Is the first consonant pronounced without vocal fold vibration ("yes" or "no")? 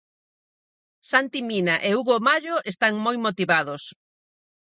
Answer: yes